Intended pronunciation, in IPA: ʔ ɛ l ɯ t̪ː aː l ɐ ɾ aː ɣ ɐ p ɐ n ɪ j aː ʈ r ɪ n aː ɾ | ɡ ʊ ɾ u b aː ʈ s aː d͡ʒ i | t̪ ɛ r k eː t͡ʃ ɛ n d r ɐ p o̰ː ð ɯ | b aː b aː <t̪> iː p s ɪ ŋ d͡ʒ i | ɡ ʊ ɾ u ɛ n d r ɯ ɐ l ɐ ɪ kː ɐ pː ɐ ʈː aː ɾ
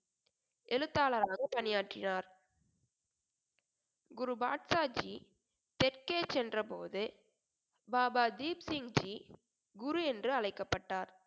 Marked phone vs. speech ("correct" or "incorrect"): incorrect